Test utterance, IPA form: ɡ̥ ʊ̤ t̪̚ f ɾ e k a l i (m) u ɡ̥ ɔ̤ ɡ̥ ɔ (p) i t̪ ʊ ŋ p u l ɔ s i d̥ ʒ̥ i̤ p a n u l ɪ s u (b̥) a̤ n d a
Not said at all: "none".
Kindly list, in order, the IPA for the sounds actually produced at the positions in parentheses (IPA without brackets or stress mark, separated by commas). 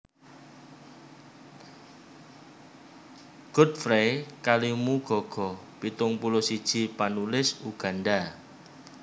m, p, ɡ̥